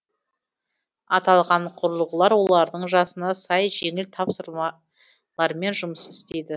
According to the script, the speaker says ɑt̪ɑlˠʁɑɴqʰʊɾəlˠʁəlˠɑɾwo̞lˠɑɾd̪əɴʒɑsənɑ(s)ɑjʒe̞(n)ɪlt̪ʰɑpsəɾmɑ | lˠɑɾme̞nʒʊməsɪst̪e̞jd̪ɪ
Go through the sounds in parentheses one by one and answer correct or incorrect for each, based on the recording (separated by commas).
correct, incorrect